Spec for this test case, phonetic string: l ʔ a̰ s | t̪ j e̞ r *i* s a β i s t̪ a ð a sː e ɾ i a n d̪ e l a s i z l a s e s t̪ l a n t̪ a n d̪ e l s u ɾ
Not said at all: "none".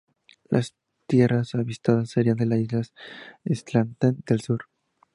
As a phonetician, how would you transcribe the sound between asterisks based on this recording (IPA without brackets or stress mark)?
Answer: a